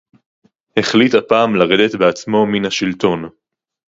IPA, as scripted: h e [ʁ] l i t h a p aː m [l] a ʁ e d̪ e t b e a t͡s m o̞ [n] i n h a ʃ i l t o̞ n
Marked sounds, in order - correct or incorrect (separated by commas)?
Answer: incorrect, correct, incorrect